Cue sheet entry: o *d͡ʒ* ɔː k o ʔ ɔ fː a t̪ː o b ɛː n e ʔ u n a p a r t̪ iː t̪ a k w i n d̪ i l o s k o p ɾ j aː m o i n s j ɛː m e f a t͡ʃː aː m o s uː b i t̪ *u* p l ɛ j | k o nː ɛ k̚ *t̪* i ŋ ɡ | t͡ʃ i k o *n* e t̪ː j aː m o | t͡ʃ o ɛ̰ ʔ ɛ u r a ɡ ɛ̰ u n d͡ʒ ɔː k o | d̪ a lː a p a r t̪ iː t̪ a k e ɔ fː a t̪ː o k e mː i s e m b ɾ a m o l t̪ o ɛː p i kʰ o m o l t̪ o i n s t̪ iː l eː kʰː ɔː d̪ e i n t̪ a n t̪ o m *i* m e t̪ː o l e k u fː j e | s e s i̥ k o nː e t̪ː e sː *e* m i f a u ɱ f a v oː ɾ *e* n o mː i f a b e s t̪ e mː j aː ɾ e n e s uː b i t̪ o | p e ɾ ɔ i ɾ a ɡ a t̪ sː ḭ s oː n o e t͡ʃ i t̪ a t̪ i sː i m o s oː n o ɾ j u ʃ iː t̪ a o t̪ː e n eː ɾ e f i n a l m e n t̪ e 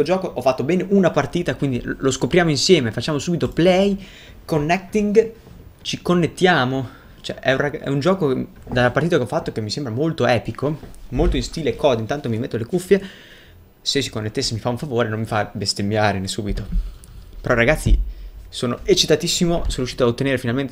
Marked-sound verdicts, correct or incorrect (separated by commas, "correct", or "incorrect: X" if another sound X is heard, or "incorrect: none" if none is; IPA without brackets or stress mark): correct, incorrect: o, correct, incorrect: nː, correct, correct, correct